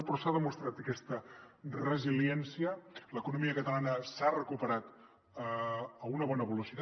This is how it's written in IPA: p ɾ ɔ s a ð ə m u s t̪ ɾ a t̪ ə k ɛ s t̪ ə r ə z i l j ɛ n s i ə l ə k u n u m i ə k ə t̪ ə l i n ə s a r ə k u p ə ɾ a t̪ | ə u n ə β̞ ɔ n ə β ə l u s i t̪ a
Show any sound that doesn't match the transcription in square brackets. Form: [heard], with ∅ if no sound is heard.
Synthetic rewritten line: p ɾ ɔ s a ð ə m u s t̪ ɾ a t̪ ə k ɛ s t̪ ə r ə z i l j ɛ n s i ə l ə k u n u m i ə k ə t̪ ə l [a] n ə s a r ə k u p ə ɾ a t̪ | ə u n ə β̞ ɔ n ə β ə l u s i t̪ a